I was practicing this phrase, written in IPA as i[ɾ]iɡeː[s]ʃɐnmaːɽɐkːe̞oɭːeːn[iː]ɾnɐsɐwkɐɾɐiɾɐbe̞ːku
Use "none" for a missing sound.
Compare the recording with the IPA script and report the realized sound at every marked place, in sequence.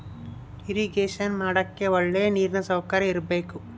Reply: ɾ, none, iː

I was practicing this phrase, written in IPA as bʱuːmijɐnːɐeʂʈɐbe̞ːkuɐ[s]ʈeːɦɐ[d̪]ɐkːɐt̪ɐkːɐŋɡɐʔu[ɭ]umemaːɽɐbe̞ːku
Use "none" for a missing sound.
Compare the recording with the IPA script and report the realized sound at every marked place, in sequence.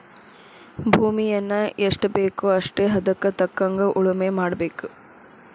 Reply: ʂ, d̪, ɭ

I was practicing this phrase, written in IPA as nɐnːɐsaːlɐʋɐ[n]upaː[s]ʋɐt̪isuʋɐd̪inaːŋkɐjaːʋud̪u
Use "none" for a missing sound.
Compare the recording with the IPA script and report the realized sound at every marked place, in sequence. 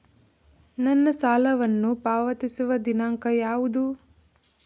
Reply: nː, none

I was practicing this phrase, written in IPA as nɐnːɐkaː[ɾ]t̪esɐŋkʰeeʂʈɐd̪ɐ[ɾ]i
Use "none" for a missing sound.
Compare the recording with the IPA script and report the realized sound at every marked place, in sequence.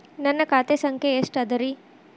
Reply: none, ɾ

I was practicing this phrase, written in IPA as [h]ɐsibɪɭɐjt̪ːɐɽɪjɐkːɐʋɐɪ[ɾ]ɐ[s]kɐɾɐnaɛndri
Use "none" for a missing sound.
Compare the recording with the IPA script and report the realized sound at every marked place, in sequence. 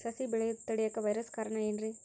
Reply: s, ɾ, s

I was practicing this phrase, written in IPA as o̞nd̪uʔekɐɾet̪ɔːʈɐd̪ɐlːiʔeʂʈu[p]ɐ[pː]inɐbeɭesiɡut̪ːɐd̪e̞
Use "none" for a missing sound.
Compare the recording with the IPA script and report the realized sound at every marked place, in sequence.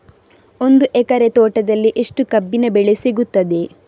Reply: k, bː

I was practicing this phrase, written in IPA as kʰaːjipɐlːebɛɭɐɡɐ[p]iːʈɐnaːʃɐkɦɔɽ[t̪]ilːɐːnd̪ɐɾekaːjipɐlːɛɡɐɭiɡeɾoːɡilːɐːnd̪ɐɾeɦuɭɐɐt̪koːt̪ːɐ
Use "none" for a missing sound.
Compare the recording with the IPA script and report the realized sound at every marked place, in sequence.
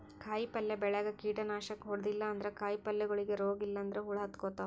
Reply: k, d̪

